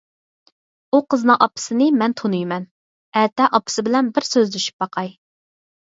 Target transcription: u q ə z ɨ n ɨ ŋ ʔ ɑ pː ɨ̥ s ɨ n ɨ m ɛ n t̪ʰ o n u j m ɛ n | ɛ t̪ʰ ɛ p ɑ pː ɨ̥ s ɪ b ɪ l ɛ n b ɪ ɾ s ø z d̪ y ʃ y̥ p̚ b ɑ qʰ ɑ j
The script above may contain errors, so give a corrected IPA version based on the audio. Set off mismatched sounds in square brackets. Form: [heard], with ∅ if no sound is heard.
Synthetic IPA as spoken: u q ə z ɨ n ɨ ŋ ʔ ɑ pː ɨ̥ s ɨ n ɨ m ɛ n t̪ʰ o n u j m ɛ n | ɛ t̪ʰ ɛ [ʔ] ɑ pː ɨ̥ s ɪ b ɪ l ɛ n b ɪ ɾ s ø z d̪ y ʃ y̥ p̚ b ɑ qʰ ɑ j